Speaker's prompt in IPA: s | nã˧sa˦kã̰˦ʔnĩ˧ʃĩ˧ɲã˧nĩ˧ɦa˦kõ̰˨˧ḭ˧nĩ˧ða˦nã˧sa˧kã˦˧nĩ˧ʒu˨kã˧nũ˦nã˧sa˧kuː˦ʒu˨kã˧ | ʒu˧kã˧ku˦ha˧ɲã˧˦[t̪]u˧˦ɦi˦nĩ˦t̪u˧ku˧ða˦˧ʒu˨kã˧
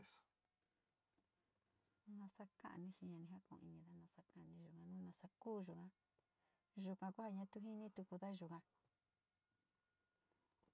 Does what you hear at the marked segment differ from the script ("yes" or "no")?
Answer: no